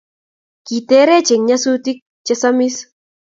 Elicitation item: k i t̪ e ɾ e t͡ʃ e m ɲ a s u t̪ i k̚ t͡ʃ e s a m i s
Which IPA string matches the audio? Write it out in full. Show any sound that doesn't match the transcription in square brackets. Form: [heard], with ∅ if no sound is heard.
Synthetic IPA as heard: k i t̪ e ɾ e t͡ʃ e [ŋ] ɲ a s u t̪ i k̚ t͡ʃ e s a m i s